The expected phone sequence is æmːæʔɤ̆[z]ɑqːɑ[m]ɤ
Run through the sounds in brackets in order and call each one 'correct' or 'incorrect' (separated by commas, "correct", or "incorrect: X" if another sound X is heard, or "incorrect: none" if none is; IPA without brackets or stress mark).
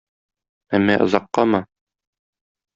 correct, correct